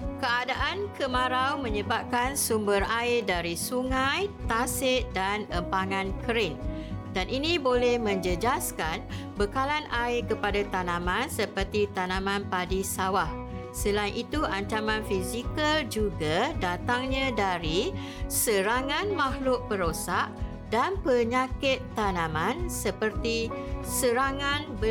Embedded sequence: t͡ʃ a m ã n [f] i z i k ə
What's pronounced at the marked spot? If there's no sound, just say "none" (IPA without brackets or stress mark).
f